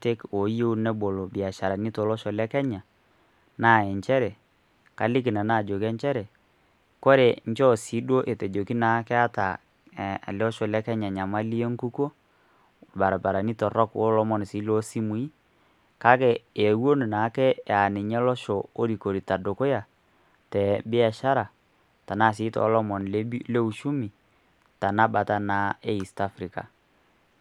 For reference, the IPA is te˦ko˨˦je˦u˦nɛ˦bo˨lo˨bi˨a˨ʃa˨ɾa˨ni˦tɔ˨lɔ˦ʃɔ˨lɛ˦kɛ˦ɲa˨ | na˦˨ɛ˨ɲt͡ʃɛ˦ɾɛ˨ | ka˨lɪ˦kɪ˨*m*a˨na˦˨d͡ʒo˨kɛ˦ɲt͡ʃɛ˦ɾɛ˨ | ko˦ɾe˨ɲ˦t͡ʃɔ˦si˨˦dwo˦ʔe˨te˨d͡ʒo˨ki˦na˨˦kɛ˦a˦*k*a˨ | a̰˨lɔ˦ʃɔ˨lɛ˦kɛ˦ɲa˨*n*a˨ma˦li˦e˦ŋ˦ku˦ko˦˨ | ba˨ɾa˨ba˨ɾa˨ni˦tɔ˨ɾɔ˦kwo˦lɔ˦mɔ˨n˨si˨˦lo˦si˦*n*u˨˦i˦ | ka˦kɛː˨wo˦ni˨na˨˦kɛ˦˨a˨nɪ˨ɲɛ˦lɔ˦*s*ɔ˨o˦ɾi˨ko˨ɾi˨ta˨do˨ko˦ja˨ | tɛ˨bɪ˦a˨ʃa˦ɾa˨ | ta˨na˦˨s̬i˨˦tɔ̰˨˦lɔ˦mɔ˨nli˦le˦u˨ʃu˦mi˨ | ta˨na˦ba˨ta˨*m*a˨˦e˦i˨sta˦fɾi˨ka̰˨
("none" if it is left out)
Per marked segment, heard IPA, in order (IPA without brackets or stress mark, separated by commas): n, t, ɲ, m, ʃ, n